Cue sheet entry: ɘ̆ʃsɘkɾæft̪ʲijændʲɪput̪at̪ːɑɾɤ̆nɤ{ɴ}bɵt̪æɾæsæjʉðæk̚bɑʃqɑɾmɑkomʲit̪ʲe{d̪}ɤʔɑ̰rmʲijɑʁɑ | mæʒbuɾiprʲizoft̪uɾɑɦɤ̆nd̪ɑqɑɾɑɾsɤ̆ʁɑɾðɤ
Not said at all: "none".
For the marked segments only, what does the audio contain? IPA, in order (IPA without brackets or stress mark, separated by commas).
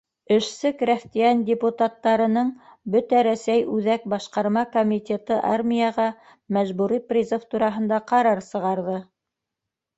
ɴ, t̪